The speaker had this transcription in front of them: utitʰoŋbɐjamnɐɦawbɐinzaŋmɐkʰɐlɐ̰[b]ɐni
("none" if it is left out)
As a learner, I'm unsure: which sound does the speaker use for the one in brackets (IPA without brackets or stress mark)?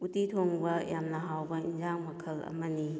m